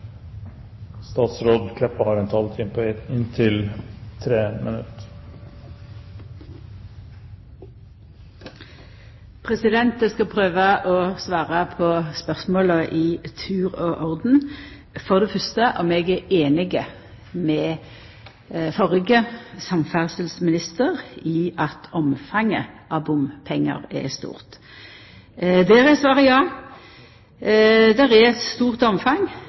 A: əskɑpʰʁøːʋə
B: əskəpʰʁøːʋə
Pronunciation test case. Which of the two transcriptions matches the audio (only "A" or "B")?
A